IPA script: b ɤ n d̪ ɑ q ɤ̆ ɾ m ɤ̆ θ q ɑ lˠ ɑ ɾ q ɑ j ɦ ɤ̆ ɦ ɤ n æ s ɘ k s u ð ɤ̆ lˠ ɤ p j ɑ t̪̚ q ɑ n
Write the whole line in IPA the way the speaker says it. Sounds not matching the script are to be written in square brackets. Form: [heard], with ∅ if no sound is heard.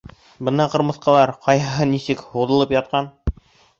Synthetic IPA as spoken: b ɤ n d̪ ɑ q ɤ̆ ɾ m ɤ̆ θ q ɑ lˠ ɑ ɾ q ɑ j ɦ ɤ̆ ɦ ɤ n [i] s ɘ k [h] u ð ɤ̆ lˠ ɤ p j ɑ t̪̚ q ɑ n